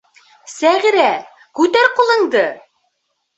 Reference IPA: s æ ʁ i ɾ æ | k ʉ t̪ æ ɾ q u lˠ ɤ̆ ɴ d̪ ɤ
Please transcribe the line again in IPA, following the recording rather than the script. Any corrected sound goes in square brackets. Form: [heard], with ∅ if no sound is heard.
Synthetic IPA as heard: s æ ʁ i ɾ æ | k ʉ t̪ æ ɾ q u lˠ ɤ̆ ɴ d̪ ɤ